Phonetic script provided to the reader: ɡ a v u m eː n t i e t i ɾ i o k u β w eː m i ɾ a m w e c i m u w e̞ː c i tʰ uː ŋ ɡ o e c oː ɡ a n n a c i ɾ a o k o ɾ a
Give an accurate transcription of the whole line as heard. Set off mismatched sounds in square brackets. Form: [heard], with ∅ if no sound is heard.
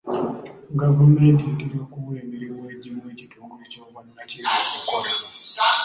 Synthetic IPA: ɡ a v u m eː n t i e t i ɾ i o k u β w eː m i ɾ [i] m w e [ɟ] i m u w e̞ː c i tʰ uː ŋ ɡ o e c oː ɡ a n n a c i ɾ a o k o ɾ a